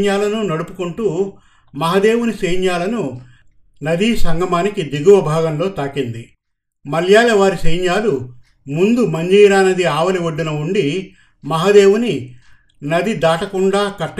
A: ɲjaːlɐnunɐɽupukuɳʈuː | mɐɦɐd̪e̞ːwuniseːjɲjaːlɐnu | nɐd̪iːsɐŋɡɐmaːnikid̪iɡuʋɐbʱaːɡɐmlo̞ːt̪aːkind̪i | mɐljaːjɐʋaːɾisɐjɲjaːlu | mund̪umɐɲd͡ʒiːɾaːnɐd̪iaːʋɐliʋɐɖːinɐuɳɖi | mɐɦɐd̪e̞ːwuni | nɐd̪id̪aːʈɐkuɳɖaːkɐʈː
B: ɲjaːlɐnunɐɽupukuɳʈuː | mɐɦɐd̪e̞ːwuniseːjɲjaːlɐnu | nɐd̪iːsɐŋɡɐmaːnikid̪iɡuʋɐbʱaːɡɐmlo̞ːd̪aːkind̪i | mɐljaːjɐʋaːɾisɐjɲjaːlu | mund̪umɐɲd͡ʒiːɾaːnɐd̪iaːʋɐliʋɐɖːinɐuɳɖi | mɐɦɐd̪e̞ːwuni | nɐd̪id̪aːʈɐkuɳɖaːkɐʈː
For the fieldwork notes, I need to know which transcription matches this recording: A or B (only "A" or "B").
A